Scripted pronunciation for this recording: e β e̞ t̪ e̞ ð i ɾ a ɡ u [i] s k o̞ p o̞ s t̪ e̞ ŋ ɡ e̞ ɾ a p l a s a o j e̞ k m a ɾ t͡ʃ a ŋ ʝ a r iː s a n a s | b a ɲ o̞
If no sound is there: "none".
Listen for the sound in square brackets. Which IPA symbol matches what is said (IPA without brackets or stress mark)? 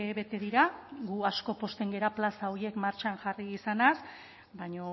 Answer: a